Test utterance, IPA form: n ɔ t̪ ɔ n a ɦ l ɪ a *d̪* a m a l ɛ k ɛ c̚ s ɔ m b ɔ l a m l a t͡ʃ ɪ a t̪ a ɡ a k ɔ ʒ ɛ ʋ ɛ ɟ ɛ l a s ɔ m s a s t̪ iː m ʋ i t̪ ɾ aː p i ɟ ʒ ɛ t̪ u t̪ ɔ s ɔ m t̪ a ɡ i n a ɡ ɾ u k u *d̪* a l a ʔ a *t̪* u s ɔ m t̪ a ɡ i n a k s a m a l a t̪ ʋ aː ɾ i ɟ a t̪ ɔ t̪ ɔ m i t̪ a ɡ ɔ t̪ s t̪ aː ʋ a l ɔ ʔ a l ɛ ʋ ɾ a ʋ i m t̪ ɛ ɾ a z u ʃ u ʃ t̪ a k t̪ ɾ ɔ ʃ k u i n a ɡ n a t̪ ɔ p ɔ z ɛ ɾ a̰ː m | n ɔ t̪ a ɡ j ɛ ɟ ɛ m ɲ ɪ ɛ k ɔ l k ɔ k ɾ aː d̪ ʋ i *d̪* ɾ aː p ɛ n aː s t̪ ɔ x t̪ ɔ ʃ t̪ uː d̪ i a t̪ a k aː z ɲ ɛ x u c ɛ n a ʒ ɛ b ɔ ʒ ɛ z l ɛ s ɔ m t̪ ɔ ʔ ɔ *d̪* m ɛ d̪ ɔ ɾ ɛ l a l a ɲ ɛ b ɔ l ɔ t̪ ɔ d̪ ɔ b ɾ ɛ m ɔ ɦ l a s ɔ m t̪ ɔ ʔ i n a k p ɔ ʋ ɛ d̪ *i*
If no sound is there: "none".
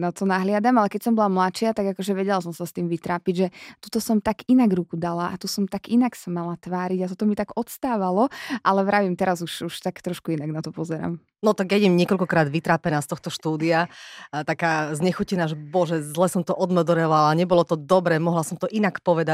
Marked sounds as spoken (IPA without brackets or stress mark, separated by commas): d̪, d̪, t̪, t̪, d̪, a